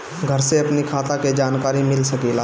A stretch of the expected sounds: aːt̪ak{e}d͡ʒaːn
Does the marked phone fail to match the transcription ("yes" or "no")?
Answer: no